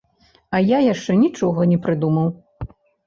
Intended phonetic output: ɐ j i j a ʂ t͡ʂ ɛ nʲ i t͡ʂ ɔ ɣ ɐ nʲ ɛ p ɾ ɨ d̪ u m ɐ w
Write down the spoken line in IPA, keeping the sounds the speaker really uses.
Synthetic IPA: ɐ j a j a ʂ t͡ʂ ɛ nʲ i t͡ʂ ɔ ɣ ɐ nʲ ɛ p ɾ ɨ d̪ u m ɐ w